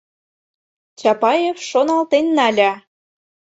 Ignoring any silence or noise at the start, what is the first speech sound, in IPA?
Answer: t͡ɕ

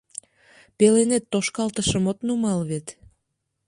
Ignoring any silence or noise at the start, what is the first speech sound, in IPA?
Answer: p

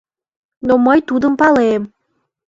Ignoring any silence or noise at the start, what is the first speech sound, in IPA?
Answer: n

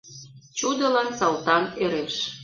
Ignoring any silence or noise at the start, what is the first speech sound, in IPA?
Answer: t͡ɕ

